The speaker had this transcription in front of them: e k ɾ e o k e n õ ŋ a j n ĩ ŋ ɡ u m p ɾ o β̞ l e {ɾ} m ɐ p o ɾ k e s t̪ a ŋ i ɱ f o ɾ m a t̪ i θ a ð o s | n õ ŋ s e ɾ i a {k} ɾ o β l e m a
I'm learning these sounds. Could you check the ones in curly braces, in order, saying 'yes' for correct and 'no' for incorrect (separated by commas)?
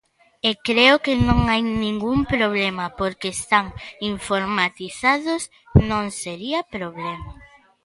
no, no